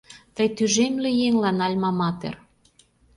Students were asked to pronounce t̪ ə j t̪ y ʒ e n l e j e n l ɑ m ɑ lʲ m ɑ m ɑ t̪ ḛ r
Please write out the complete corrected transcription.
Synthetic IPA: t̪ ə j t̪ y ʒ e m l e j e ŋ l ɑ n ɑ lʲ m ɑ m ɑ t̪ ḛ r